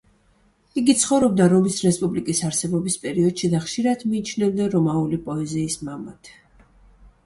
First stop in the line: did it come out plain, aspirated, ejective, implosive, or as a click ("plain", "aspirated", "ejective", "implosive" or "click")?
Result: plain